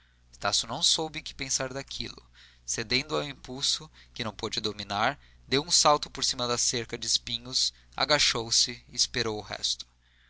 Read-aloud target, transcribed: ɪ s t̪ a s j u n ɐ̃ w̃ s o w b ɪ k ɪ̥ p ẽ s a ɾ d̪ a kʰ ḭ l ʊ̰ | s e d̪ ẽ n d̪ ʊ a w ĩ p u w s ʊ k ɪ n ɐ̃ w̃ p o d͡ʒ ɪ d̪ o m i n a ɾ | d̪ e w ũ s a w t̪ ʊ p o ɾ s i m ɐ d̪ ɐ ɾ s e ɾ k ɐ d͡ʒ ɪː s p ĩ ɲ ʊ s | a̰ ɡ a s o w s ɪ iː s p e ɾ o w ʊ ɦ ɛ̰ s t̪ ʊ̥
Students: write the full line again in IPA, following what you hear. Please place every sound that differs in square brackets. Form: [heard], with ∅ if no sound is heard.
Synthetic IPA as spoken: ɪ s t̪ a s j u n ɐ̃ w̃ s o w b ɪ k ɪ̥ p ẽ s a ɾ d̪ a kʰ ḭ l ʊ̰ | s e d̪ ẽ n d̪ ʊ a w ĩ p u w s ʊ k ɪ n ɐ̃ w̃ p o d͡ʒ ɪ d̪ o m i n a ɾ | d̪ e w ũ s a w t̪ ʊ p o ɾ s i m ɐ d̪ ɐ [∅] s e ɾ k ɐ d͡ʒ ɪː s p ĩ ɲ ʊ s | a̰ ɡ a [ʃ] o w s ɪ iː s p e ɾ o w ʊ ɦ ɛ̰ s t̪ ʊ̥